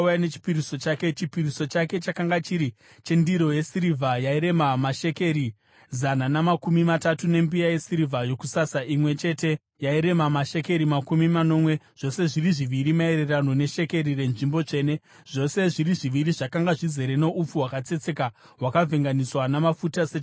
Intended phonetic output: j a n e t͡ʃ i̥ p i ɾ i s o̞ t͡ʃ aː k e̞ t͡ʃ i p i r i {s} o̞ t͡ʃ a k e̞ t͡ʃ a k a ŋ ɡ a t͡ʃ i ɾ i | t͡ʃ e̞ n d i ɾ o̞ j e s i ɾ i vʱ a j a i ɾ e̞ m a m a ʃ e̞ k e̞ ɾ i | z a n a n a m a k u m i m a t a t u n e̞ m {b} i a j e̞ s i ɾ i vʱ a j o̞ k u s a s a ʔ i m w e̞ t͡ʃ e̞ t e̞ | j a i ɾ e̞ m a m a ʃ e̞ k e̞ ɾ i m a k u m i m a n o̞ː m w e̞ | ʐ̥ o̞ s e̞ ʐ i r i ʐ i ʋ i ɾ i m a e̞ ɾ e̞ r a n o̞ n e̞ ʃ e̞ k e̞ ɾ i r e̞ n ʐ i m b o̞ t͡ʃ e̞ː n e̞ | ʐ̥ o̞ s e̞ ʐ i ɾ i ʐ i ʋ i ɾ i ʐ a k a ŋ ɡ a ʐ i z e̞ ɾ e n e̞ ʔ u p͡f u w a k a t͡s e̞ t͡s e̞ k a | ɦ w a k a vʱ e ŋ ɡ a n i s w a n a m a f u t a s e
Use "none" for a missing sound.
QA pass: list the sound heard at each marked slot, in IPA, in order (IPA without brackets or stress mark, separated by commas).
s, b